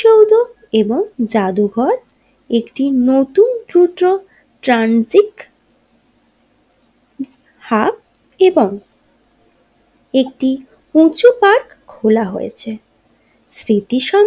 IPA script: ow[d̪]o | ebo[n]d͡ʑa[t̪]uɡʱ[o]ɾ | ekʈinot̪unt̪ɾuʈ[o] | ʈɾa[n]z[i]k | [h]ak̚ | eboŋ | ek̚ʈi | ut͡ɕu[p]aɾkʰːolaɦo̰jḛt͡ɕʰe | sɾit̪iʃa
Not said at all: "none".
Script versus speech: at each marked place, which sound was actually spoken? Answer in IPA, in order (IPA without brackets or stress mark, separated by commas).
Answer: d̪, ŋ, d̪, ɔ, o, n, i, h, p